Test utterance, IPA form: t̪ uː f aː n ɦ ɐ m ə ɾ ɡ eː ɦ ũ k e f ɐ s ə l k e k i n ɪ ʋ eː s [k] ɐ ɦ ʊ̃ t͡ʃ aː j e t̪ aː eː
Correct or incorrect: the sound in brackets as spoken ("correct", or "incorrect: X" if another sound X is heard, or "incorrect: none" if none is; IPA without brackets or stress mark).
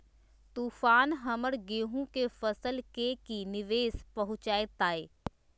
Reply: incorrect: p